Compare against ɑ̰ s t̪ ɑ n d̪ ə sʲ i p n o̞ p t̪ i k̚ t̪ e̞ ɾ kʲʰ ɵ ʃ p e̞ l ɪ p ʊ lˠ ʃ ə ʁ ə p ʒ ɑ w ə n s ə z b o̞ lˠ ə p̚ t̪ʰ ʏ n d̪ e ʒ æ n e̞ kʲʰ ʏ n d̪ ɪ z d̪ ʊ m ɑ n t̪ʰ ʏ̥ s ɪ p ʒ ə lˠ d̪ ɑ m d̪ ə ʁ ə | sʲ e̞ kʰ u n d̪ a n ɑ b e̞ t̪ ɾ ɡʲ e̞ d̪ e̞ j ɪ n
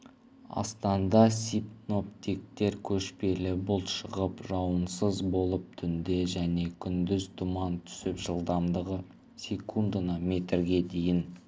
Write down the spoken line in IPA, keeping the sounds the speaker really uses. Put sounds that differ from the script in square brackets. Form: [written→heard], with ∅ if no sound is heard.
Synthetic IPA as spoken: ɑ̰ s t̪ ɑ n d̪ [ə→ɑ] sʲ i p n o̞ p t̪ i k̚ t̪ e̞ ɾ kʲʰ ɵ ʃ p e̞ l ɪ [p→b] ʊ lˠ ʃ ə ʁ ə p ʒ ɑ w ə n s ə z b o̞ lˠ ə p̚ t̪ʰ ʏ n d̪ e ʒ æ n e̞ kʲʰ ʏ n d̪ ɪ z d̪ ʊ m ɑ n t̪ʰ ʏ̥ s ɪ p ʒ ə lˠ d̪ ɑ m d̪ ə ʁ ə | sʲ e̞ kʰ u n d̪ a n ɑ [b→m] e̞ t̪ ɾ ɡʲ e̞ d̪ e̞ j ɪ n

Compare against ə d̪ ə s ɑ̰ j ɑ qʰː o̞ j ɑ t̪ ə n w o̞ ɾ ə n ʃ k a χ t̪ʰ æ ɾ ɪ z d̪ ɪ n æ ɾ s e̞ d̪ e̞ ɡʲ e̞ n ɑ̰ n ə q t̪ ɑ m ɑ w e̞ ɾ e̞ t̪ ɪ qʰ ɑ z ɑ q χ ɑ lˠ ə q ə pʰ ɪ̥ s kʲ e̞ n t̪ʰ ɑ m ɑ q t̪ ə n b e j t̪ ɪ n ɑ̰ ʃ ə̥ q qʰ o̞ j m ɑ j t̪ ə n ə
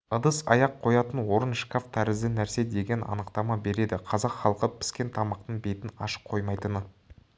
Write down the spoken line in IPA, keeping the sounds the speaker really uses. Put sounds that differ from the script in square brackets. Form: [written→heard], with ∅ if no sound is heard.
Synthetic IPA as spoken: ə d̪ ə s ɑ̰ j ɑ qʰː o̞ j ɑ t̪ ə n w o̞ ɾ ə n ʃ k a [χ→f] t̪ʰ æ ɾ ɪ z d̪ ɪ n æ ɾ s e̞ d̪ e̞ ɡʲ e̞ n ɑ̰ n ə q t̪ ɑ m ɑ [w→b] e̞ ɾ e̞ [t̪→d̪] ɪ qʰ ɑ z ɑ q χ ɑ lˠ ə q ə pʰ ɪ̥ s kʲ e̞ n t̪ʰ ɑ m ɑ q t̪ ə [n→ɴ] b e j t̪ ɪ n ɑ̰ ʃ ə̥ q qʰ o̞ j m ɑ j t̪ ə n ə

